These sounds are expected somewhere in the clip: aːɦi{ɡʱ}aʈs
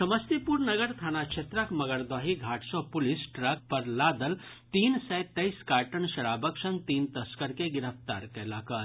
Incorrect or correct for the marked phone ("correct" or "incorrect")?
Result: correct